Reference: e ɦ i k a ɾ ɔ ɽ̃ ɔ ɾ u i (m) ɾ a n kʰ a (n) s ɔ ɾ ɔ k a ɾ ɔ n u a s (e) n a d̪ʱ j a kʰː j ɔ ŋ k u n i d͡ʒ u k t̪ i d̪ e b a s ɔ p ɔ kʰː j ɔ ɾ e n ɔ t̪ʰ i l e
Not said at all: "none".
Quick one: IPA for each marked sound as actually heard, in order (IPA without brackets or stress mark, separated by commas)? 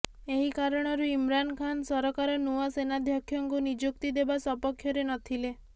m, n, e